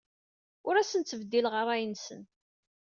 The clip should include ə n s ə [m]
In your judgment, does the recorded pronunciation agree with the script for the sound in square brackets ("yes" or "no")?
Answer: no